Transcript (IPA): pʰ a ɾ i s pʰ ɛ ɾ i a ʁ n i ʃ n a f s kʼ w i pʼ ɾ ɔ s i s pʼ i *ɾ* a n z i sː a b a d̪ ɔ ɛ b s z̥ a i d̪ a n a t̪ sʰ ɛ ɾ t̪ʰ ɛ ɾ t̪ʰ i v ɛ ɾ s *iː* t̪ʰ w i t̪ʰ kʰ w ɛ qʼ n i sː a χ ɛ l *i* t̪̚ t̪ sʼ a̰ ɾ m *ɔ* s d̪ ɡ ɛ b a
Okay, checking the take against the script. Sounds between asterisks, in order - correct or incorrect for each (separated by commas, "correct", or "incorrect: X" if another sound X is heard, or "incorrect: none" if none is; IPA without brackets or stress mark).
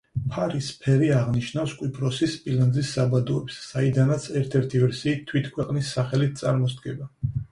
incorrect: l, correct, correct, correct